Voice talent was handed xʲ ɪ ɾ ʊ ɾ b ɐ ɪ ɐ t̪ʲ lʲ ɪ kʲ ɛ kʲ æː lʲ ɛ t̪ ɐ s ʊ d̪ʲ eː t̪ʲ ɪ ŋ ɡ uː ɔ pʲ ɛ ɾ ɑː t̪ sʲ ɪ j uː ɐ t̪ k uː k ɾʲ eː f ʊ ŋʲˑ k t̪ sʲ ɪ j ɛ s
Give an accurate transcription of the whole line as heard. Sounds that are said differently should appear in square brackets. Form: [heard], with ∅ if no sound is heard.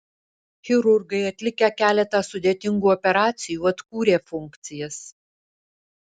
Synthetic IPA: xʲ ɪ ɾ ʊ ɾ [ɡ] ɐ ɪ ɐ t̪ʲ lʲ ɪ kʲ ɛ kʲ æː lʲ ɛ t̪ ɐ s ʊ d̪ʲ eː t̪ʲ ɪ ŋ ɡ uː ɔ pʲ ɛ ɾ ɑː t̪ sʲ ɪ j uː ɐ t̪ k uː [∅] ɾʲ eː f ʊ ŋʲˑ k t̪ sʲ ɪ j ɛ s